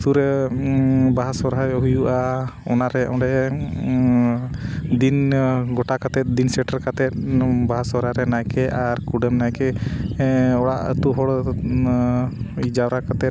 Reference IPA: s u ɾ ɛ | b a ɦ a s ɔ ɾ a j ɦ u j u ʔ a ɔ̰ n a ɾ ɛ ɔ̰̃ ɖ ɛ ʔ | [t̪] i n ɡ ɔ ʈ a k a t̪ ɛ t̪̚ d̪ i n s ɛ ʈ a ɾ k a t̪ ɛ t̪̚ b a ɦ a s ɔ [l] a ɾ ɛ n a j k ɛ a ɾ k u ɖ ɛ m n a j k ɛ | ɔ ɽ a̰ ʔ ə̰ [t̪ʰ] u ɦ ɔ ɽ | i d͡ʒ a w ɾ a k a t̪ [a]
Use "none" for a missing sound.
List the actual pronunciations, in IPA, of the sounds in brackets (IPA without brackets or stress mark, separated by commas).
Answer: d̪, ɾ, t̪, ɛ